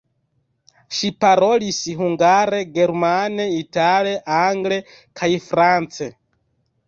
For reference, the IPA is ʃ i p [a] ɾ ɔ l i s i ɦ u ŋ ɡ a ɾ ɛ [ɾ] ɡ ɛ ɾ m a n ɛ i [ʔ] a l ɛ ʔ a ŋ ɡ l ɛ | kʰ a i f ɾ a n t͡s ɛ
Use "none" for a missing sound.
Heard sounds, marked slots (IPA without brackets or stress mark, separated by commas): a, none, t